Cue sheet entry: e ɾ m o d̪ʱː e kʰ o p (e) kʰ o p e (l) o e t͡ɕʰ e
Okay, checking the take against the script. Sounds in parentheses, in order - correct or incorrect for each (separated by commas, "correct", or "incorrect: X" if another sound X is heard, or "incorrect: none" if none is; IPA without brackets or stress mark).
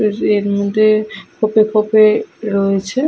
correct, incorrect: ɾ